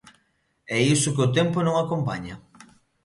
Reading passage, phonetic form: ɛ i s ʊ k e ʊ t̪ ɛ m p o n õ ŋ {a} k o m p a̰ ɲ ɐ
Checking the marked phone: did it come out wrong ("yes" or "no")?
no